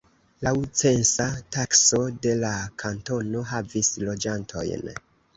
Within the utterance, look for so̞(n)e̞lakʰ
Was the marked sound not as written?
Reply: yes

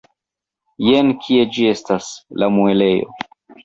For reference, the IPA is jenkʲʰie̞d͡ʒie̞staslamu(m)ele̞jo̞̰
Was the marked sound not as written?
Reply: yes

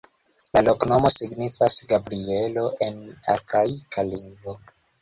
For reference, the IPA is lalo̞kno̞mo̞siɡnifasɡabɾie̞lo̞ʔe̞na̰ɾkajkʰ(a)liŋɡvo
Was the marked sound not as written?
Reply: no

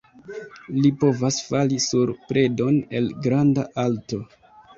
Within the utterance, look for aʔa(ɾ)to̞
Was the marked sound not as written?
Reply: yes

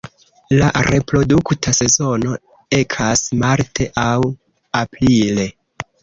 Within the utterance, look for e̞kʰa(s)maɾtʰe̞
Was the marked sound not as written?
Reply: no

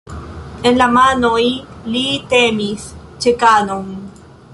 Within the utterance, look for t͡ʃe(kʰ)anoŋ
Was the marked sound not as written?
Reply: yes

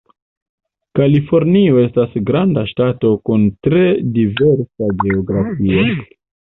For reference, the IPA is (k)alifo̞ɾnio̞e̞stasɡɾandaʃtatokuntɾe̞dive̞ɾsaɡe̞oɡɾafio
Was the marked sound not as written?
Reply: no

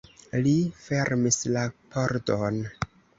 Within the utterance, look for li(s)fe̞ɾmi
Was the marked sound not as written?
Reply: yes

